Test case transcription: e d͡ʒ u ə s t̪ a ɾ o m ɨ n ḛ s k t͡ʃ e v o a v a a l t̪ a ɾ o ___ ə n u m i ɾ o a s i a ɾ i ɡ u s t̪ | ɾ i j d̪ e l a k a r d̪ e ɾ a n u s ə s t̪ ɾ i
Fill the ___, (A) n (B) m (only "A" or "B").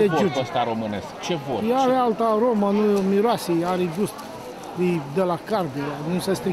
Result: B